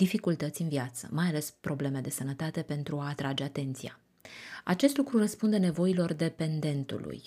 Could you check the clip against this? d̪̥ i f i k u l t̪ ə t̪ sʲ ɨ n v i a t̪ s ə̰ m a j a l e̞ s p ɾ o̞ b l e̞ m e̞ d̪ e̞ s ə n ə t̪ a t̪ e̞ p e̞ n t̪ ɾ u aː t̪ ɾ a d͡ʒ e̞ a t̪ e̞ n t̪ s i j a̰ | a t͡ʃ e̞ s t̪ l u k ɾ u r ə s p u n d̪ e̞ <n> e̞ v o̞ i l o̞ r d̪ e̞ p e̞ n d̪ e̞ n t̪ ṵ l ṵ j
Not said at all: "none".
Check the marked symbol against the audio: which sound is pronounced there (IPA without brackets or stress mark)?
n